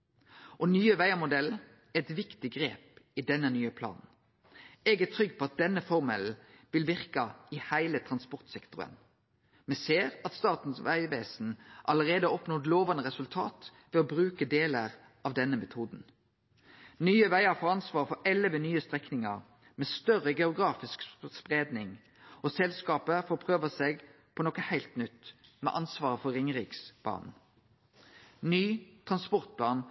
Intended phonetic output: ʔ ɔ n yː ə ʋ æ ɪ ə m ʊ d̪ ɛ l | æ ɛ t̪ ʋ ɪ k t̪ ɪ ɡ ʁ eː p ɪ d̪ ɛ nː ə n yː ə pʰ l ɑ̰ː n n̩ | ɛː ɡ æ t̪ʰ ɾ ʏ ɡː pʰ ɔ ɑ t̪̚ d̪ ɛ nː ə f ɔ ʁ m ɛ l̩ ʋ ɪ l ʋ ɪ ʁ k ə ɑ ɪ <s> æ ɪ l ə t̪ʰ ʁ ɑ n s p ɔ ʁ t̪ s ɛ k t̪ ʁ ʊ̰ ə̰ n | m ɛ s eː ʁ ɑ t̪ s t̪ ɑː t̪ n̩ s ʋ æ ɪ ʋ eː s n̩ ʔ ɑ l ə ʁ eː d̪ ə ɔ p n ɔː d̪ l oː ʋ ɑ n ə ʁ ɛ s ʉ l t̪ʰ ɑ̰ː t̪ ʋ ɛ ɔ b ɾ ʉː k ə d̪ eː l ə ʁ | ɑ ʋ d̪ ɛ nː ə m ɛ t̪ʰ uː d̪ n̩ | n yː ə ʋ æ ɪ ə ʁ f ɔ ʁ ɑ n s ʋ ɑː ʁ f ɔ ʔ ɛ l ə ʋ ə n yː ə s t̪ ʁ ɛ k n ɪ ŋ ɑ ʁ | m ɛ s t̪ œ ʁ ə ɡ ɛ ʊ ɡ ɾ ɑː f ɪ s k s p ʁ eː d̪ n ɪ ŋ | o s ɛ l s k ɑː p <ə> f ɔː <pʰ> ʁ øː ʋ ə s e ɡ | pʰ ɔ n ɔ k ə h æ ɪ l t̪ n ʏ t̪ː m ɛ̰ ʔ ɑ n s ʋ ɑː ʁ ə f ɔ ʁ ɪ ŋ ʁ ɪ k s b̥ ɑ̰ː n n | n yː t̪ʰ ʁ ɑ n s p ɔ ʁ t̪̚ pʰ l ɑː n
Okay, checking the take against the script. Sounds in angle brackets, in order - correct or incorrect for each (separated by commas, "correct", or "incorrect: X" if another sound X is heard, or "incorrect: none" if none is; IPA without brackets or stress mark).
incorrect: h, correct, correct